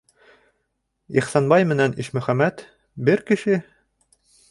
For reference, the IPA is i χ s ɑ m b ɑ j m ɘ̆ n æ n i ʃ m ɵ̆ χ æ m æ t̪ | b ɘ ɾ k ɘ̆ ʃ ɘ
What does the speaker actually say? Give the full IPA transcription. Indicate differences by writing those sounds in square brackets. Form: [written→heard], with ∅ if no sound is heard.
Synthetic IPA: i χ s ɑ [m→n] b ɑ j m ɘ̆ n æ n i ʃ m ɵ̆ χ æ m æ t̪ | b ɘ ɾ k ɘ̆ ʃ ɘ